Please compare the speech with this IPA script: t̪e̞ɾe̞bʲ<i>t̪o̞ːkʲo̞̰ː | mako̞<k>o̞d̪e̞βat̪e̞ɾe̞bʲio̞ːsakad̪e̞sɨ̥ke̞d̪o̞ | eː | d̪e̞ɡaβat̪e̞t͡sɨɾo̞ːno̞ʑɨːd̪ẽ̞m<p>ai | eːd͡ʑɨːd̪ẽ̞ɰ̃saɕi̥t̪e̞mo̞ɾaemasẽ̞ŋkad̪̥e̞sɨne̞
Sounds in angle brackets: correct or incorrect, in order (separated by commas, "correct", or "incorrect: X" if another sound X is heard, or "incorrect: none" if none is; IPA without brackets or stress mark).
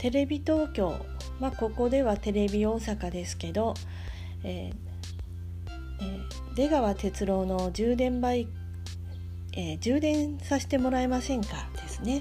correct, correct, incorrect: b